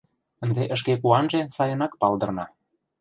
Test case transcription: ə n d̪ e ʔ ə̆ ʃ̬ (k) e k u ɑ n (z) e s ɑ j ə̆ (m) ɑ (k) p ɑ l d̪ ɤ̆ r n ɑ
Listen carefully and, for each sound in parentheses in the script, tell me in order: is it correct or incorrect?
correct, incorrect, incorrect, correct

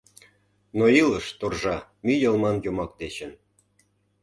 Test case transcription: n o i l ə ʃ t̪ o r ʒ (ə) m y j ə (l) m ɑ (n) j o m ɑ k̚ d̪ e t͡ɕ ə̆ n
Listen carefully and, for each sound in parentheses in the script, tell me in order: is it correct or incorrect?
incorrect, correct, correct

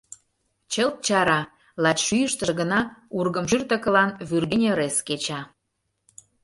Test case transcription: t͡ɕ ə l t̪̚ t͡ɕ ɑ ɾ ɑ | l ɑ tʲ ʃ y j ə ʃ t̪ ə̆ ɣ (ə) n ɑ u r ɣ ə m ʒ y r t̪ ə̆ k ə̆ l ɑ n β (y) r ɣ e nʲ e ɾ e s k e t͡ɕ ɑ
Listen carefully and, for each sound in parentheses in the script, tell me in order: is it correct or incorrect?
correct, correct

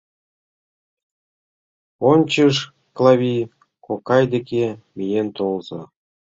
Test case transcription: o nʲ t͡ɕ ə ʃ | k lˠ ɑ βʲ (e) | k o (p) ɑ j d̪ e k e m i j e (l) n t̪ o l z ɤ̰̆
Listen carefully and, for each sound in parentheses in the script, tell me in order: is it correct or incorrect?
incorrect, incorrect, incorrect

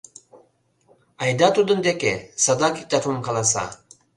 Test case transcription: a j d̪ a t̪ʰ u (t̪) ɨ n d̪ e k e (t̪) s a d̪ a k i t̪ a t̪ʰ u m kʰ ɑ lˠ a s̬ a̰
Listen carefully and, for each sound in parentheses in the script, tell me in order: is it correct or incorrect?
incorrect, incorrect

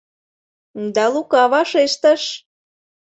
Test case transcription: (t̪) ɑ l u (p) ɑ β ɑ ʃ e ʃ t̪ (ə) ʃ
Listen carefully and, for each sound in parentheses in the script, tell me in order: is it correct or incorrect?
incorrect, incorrect, correct

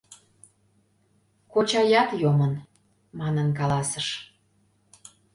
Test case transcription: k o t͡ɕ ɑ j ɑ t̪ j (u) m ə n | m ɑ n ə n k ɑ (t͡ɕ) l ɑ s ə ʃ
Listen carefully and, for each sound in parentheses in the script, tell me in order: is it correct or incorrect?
incorrect, incorrect

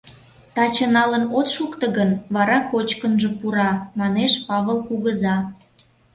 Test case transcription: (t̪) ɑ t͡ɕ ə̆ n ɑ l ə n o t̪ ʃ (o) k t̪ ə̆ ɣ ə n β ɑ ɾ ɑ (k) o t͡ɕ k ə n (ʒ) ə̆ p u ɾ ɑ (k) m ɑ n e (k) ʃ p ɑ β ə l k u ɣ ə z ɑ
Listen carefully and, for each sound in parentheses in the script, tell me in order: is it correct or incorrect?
correct, incorrect, correct, correct, incorrect, incorrect

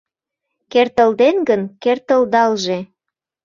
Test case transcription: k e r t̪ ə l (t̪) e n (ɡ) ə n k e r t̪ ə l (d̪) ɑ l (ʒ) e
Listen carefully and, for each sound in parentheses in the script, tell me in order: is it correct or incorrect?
incorrect, correct, correct, correct

